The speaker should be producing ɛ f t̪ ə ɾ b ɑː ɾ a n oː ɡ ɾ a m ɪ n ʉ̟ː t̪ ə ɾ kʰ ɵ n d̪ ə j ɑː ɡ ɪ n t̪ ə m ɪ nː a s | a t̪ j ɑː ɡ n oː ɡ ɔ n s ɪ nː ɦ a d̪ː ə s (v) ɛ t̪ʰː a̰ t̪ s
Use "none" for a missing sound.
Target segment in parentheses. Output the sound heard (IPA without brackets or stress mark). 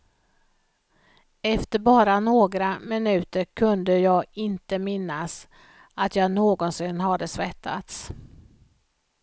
v